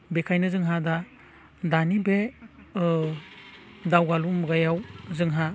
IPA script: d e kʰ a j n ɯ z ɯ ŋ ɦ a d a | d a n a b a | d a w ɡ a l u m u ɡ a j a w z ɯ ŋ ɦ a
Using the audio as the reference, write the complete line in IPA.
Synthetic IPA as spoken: b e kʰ a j n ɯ z ɯ ŋ ɦ a d a | d a n i b e | d a w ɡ a l u m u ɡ a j a w z ɯ ŋ ɦ a